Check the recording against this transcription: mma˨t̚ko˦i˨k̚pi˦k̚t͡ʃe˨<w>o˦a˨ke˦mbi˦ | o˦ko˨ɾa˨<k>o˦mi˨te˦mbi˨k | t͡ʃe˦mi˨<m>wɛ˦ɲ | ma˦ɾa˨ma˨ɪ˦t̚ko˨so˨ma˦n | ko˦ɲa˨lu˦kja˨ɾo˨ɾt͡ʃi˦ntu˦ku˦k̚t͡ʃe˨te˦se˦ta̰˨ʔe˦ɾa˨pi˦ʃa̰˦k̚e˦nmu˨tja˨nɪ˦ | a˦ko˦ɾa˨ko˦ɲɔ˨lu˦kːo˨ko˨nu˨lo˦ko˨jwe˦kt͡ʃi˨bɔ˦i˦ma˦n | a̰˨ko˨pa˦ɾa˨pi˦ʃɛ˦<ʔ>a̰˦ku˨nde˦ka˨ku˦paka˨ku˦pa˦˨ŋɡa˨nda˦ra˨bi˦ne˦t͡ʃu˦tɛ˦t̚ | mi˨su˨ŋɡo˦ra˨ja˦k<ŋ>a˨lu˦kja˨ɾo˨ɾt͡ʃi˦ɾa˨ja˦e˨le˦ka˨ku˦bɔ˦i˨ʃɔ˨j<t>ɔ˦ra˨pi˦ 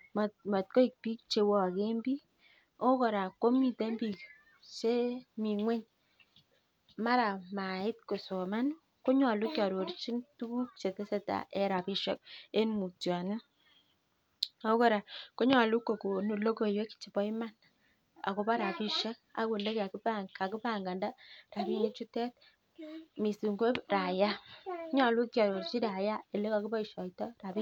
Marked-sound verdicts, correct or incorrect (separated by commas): correct, correct, incorrect, incorrect, incorrect, correct